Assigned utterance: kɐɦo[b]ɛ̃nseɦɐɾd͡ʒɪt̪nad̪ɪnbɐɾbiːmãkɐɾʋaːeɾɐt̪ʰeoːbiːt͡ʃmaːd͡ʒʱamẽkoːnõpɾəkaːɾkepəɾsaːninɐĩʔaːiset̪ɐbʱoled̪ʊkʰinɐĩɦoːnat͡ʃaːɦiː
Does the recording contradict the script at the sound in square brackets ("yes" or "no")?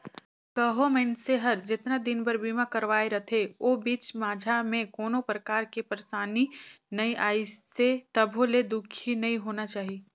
yes